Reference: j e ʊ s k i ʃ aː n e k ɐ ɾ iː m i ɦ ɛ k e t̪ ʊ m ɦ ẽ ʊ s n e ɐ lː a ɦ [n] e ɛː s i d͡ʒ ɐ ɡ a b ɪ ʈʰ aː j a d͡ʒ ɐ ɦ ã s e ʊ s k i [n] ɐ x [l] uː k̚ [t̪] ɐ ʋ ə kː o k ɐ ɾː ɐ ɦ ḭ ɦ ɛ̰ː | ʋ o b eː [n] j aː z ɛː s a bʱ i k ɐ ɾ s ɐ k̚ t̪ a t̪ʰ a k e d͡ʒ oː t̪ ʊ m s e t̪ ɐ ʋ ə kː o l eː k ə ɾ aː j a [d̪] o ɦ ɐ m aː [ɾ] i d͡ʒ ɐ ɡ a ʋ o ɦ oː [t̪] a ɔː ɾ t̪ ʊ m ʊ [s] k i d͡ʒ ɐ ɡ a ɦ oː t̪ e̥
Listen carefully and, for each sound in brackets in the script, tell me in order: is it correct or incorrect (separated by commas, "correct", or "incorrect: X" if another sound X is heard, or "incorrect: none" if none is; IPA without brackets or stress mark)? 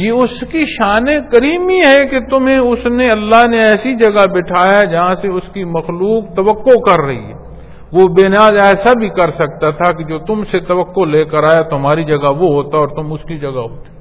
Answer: correct, incorrect: m, correct, correct, correct, incorrect: t̪, correct, correct, correct